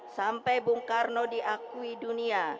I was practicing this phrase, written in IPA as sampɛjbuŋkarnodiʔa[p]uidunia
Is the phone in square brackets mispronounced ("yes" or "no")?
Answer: yes